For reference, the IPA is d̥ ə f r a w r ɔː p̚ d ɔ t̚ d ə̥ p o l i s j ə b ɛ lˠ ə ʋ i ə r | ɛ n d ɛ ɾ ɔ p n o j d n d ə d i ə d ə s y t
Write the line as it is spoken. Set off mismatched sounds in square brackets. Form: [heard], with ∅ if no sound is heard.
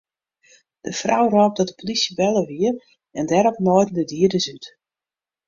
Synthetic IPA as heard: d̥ ə f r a w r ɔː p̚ d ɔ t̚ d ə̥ p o l i s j ə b ɛ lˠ ə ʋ i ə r | ɛ n d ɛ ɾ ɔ p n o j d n d ə d i ə d ə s y t